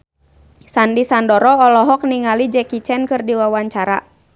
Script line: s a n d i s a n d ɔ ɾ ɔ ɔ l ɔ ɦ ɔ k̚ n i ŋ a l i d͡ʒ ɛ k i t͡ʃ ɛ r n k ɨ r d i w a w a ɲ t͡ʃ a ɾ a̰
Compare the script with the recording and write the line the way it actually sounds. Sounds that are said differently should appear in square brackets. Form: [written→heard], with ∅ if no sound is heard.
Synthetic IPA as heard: s a n d i s a n d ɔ ɾ ɔ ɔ l ɔ ɦ ɔ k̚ n i ŋ a l i d͡ʒ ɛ k i t͡ʃ ɛ [r→∅] n k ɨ r d i w a w a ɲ t͡ʃ a ɾ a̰